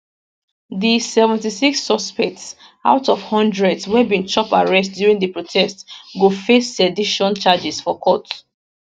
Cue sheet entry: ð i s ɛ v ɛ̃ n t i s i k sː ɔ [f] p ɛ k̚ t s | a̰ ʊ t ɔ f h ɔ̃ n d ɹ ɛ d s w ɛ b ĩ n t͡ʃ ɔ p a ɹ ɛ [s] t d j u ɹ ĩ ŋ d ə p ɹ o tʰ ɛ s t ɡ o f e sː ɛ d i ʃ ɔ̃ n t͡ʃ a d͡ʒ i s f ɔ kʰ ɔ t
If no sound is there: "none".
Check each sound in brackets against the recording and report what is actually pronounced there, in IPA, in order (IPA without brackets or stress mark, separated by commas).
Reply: s, s